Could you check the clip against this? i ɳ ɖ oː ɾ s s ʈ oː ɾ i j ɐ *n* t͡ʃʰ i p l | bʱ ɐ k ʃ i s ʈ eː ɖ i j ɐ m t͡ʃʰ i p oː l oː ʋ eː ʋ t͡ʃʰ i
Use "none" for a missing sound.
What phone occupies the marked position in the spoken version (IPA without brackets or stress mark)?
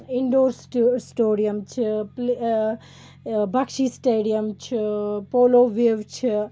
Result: m